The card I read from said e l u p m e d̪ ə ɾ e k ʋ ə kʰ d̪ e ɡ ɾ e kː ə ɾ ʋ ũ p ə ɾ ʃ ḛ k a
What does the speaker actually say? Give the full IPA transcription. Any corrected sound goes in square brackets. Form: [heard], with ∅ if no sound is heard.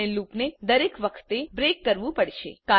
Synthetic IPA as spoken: e l u p [n] e d̪ ə ɾ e k ʋ ə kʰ [t̪] e [b] ɾ e kː ə ɾ ʋ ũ p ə [ɽ] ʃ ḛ k a

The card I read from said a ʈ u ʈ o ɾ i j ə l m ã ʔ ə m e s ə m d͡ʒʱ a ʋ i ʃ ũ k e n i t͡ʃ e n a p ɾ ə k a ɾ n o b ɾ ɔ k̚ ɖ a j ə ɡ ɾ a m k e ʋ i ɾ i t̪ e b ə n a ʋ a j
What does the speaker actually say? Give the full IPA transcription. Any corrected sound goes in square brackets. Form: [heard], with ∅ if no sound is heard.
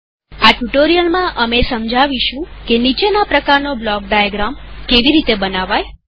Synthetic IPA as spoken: a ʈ u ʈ o ɾ i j ə l m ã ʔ ə m e s ə m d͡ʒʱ a ʋ i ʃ ũ k e n i t͡ʃ e n a p ɾ ə k a ɾ n o b [l] ɔ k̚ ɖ a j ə ɡ ɾ a m k e ʋ i ɾ i t̪ e b ə n a ʋ a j

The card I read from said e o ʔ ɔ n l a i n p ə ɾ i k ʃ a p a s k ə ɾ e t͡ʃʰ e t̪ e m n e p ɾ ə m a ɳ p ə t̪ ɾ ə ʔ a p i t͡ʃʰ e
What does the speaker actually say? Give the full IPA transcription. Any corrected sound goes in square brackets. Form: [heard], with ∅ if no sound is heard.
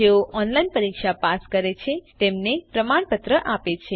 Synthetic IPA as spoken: e o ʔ ɔ n l a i n p ə ɾ i k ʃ a p a s k ə ɾ e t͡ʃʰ e t̪ e m n e p ɾ ə m a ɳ p ə t̪ ɾ ə ʔ a p [e] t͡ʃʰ e

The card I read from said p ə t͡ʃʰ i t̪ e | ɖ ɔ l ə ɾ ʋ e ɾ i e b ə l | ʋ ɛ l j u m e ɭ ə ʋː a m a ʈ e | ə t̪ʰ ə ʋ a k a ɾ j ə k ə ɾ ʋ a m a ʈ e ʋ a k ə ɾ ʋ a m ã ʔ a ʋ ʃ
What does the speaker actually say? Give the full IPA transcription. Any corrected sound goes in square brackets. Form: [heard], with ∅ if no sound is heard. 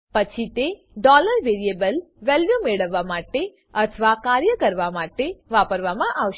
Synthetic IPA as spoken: p ə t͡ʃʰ i t̪ e | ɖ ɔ l ə ɾ ʋ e ɾ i e b ə l | ʋ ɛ l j u m e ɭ ə ʋː a m a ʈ e | ə t̪ʰ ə ʋ a k a ɾ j ə k ə ɾ ʋ a m a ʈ e ʋ a [p] ə ɾ ʋ a m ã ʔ a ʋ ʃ

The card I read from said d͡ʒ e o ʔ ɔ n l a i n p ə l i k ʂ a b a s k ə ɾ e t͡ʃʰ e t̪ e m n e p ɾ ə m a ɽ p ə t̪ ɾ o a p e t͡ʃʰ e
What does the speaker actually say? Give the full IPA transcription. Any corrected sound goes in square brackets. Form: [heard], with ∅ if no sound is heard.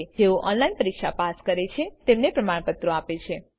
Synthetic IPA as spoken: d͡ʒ e o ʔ ɔ n l a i n p ə [ɾ] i k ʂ a [p] a s k ə ɾ e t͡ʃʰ e t̪ e m n e p ɾ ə m a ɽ p ə t̪ ɾ o a p e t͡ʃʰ e

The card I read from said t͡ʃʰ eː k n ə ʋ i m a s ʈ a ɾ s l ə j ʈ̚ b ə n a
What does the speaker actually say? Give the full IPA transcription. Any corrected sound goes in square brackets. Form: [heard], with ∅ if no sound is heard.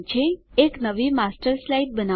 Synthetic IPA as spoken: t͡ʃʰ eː k n ə ʋ i m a s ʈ [ə] ɾ s l [a] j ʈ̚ b ə n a

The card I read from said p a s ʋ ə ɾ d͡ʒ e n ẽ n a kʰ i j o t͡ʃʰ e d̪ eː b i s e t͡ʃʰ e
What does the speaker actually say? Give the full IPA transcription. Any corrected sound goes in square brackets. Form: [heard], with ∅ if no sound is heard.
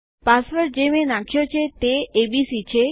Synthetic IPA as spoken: p a s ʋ ə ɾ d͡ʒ e [m] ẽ n a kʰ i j o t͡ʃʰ e [t̪] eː b i s [i] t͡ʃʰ e

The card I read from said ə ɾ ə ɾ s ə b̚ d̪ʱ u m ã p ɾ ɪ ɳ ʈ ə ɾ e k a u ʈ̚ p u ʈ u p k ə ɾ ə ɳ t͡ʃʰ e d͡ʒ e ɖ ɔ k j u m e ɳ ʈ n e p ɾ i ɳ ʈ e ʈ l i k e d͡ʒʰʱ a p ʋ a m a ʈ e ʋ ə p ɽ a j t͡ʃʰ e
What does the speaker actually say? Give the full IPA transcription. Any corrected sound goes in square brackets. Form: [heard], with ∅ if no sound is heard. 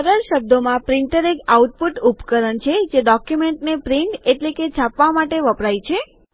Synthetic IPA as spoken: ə ɾ ə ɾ [ʃ] ə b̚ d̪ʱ [o] m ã p ɾ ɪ ɳ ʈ ə ɾ e k a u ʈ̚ p u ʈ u p k ə ɾ ə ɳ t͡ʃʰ e d͡ʒ e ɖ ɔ k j u m e ɳ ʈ n e p ɾ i ɳ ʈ e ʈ l [e] k e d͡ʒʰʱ a p ʋ a m a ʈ e ʋ ə p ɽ a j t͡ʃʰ e

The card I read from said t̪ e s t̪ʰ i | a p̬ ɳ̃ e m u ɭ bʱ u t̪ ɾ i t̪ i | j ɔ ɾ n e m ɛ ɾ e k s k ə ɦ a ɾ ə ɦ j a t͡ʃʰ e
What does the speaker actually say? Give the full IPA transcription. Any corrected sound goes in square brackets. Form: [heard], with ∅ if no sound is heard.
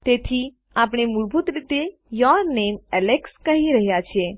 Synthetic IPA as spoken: t̪ e [∅] t̪ʰ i | a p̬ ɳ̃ e m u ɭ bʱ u t̪ ɾ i t̪ [e] | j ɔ ɾ n e m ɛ [l] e k s k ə ɦ [i] ɾ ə ɦ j a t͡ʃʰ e

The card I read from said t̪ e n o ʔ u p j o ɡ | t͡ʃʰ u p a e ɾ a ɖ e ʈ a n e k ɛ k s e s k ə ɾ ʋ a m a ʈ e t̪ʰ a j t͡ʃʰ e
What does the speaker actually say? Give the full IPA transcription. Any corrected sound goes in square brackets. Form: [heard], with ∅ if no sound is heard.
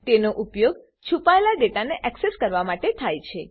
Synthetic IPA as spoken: t̪ e n o ʔ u p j o ɡ | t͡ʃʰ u p a e [l] a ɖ e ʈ a n e [ʔ] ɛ k s e s k ə ɾ ʋ a m a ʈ e t̪ʰ a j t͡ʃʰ e

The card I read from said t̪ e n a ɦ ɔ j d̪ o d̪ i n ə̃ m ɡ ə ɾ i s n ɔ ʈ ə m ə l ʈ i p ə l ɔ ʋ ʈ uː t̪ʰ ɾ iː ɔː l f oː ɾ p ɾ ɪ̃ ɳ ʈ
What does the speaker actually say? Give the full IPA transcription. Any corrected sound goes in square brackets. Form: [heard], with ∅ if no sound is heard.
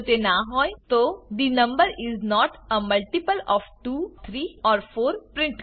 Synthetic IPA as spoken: t̪ e n a ɦ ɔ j [t̪] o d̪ i n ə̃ m [b] ə ɾ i [z] n ɔ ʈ ə m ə l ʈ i p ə l ɔ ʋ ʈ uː t̪ʰ ɾ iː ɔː [ɾ] f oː ɾ p ɾ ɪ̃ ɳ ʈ

